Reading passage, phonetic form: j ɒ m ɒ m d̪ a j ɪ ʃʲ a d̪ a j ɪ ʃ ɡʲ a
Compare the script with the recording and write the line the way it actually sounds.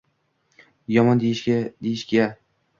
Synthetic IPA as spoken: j ɒ m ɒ n d̪ e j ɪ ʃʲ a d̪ e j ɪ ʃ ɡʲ a